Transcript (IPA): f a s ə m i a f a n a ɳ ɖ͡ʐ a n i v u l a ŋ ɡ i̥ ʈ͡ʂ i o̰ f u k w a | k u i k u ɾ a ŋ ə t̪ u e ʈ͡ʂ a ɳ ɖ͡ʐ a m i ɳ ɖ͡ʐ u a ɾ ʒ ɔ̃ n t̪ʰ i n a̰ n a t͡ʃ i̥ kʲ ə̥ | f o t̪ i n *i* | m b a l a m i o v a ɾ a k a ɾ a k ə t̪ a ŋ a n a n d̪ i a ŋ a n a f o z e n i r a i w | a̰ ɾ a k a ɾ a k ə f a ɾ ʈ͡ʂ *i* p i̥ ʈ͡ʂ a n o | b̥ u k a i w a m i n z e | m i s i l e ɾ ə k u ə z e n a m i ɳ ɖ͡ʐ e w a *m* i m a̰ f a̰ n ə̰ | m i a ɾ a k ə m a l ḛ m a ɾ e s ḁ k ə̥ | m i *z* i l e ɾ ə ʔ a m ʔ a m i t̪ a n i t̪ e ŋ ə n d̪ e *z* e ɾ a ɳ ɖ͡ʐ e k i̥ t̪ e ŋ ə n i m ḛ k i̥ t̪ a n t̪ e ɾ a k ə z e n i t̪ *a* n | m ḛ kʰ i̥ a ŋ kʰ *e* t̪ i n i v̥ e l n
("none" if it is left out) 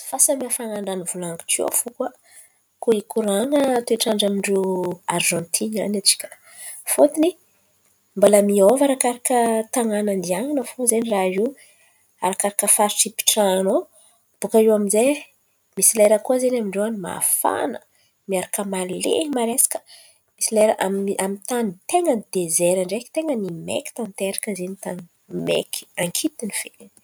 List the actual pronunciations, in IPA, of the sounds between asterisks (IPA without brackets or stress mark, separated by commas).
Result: i, i, n, s, z, a, i